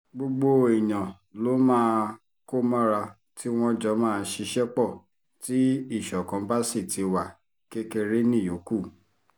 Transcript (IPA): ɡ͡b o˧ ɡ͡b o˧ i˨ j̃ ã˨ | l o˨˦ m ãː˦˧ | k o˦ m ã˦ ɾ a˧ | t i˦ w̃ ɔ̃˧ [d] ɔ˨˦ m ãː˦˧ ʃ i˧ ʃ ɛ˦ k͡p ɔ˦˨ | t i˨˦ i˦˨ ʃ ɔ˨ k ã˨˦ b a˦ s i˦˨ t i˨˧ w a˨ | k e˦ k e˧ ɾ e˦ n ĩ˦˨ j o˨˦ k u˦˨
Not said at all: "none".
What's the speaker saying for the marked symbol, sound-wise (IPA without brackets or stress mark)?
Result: d͡ʒ